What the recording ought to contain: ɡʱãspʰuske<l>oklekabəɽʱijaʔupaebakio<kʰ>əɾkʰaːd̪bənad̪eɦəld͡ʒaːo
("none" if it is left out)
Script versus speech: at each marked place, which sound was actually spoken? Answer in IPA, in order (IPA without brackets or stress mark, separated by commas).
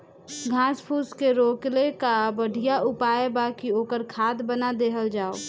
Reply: ɾ, k